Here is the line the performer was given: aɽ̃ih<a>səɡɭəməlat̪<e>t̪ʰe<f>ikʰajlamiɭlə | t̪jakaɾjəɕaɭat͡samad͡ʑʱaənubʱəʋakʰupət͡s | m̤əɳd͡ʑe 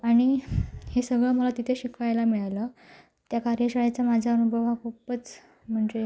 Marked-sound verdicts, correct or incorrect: incorrect: e, incorrect: i, incorrect: ɕ

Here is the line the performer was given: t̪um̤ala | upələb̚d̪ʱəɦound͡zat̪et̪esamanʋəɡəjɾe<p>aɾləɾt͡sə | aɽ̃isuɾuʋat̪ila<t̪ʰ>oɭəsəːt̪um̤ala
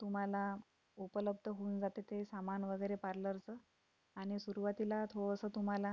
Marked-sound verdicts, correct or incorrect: correct, correct

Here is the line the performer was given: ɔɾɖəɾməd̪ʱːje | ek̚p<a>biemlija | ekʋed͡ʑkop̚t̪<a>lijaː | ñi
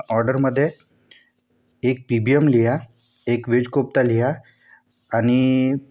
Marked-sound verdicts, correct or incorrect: incorrect: i, correct

